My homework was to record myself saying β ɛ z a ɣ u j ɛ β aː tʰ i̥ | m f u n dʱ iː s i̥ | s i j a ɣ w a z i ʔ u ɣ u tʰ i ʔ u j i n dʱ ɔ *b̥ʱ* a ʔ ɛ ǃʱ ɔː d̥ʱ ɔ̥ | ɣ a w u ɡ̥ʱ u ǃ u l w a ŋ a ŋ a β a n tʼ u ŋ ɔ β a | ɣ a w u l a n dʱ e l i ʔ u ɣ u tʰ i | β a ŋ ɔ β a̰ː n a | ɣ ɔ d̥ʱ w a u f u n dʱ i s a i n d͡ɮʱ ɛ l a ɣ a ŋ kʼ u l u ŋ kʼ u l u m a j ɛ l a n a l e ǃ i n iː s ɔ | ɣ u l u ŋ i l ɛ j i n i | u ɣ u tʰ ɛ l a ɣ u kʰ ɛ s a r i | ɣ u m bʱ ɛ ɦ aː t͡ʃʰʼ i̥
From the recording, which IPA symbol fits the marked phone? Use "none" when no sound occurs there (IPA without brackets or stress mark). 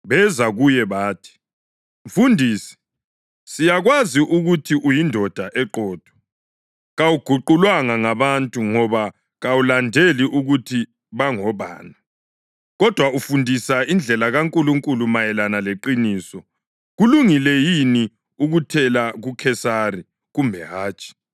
d̥ʱ